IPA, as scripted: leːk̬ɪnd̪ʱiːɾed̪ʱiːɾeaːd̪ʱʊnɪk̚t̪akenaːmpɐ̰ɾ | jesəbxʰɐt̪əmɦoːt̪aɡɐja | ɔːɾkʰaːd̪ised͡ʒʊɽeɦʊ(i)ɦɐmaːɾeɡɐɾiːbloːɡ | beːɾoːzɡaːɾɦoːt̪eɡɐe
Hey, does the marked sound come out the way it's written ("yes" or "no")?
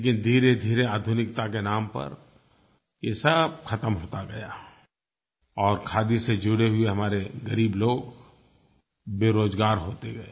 no